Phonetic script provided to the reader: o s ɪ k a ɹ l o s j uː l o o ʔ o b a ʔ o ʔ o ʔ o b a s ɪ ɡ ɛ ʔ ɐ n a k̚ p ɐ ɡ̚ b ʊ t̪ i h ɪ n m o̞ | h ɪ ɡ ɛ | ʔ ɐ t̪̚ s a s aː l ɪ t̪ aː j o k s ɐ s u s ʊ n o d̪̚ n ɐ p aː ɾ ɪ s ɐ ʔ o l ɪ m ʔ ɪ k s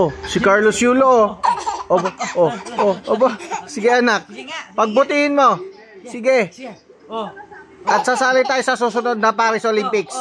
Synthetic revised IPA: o s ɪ k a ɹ l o s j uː l o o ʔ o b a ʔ o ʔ o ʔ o b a s ɪ ɡ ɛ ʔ ɐ n a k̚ p ɐ ɡ̚ b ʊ t̪ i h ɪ n m o̞ | s ɪ ɡ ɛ | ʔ ɐ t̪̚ s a s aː l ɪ t̪ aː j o s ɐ s u s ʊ n o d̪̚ n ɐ p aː ɾ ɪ s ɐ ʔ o l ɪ m p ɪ k s